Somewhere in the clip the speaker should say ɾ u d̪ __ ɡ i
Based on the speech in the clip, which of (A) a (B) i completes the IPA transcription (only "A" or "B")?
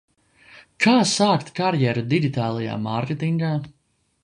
B